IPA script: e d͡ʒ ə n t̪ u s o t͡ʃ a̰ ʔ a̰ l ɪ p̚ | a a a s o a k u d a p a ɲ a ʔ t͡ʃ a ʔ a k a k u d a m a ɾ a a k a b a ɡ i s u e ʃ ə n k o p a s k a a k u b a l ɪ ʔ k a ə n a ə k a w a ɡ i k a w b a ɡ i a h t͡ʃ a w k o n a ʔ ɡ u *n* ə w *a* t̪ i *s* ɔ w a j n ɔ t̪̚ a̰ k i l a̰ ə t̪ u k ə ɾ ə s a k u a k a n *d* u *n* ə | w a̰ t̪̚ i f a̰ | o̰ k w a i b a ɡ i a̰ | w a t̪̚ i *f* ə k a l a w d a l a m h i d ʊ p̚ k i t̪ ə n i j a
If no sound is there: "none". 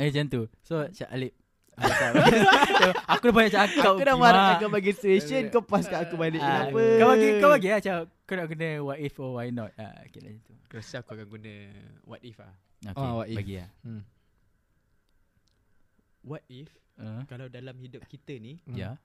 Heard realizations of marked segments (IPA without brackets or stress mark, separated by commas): n, a, f, ɡ, n, f